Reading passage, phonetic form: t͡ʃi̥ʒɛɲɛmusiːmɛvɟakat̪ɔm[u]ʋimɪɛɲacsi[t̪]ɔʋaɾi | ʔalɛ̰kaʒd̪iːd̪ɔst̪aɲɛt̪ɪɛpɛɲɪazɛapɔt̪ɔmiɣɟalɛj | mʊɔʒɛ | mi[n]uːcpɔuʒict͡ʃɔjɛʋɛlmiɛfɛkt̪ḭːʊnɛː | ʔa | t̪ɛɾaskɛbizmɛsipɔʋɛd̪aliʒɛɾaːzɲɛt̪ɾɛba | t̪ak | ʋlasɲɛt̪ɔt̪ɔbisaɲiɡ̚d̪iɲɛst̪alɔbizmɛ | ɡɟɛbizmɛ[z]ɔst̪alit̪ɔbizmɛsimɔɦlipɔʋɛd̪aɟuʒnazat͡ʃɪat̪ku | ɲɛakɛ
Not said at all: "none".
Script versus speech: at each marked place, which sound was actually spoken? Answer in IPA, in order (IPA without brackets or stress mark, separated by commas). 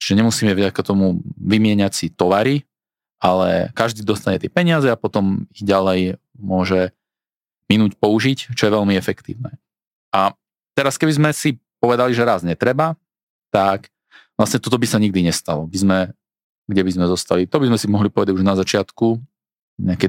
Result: u, t̪, n, z